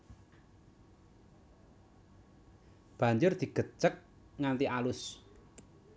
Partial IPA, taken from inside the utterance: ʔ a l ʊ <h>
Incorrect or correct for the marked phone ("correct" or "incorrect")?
incorrect